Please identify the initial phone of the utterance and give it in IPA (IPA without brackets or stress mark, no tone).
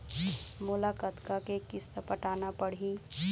m